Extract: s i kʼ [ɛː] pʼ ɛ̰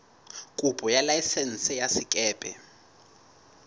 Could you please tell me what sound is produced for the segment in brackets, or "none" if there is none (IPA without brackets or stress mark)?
ɛː